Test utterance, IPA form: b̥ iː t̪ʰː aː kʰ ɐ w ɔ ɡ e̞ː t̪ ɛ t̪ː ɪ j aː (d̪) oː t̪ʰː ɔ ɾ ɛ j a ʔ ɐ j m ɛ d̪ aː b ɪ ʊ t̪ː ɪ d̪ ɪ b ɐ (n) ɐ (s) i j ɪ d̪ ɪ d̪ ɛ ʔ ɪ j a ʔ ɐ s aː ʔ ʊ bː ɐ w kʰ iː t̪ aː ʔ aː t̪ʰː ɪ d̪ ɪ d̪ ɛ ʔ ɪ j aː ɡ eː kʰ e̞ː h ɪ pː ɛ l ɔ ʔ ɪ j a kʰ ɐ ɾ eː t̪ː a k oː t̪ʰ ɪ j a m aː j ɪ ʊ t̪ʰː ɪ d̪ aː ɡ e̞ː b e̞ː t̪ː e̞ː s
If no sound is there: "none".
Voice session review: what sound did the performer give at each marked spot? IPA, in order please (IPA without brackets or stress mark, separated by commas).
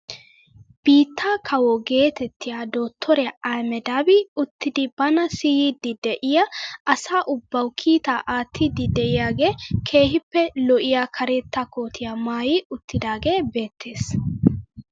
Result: d̪, n, s